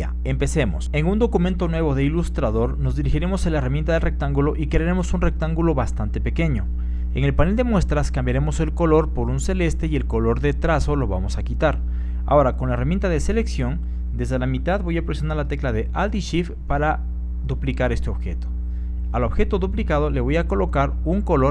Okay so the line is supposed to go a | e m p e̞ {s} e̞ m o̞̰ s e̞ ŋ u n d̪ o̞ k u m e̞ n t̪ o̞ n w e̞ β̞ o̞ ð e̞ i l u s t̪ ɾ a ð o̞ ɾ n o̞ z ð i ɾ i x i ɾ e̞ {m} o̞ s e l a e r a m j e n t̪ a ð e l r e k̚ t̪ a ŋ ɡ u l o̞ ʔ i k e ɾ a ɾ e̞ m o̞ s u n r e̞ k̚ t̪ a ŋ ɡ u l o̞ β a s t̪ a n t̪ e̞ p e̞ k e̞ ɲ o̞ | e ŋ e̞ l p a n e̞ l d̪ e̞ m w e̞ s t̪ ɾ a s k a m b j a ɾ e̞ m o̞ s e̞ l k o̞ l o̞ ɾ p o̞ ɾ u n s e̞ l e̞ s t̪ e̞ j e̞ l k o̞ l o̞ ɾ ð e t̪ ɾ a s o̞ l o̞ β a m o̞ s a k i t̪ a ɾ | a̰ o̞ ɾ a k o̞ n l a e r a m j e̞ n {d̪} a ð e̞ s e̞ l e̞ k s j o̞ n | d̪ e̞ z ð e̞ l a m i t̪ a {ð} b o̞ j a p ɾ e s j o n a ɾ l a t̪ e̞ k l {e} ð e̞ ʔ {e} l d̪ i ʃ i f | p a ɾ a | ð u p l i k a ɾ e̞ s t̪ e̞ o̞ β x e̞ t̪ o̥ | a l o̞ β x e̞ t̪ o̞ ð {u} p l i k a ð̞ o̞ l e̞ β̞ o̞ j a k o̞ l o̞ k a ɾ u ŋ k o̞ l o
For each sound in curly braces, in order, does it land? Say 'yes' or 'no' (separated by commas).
yes, yes, no, yes, no, no, yes